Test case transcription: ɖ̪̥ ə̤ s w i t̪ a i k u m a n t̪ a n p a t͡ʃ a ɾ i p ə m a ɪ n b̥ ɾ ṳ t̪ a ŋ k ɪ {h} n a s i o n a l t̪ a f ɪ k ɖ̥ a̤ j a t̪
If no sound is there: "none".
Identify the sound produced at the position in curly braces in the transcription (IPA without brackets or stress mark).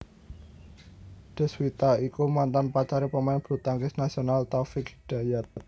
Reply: s